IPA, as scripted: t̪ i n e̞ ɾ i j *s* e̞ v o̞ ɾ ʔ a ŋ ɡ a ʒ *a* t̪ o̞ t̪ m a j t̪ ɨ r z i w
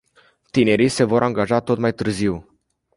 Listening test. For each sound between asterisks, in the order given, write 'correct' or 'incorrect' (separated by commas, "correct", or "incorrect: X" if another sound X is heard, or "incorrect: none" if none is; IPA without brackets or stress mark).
correct, correct